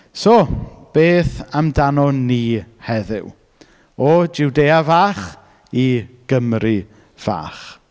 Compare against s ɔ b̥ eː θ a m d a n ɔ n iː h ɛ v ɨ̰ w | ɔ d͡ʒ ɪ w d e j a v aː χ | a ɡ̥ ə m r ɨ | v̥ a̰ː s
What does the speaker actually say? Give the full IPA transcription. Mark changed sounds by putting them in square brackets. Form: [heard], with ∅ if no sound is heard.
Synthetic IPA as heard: s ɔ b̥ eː θ a m d a n ɔ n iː h ɛ [ð] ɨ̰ w | ɔ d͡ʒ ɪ w d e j a v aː χ | [i] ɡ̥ ə m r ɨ | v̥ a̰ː [χ]